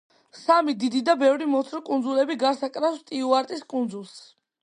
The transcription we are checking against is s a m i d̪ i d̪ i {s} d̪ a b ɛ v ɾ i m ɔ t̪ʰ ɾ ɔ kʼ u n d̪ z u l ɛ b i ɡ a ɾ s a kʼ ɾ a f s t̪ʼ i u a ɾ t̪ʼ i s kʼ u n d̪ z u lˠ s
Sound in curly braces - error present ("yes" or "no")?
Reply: yes